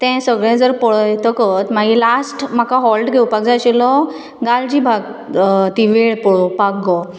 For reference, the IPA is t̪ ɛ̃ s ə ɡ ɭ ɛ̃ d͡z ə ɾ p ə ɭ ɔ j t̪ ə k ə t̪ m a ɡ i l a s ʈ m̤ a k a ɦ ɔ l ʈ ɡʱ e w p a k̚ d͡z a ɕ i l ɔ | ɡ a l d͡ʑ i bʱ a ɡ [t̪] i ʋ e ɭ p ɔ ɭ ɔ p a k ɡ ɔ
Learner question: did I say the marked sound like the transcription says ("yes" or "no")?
yes